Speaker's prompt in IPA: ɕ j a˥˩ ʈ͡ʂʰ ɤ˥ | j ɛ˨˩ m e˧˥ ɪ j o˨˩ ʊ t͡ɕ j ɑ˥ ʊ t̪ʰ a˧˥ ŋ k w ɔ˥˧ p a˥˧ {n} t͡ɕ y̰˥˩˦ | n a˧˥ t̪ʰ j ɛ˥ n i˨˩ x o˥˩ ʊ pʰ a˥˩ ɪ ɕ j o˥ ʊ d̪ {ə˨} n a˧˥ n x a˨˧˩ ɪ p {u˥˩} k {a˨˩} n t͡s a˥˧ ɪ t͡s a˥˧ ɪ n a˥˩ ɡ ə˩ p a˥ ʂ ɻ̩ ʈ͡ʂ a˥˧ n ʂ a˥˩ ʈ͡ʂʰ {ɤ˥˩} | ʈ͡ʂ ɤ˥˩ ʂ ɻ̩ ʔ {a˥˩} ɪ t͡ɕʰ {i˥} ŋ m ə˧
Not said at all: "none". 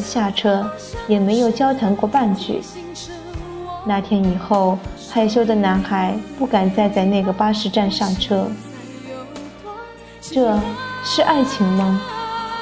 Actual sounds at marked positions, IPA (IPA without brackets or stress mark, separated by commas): n, ə˨, u˥˩, a˨˩, ɤ˥, a˥˩, i˧˥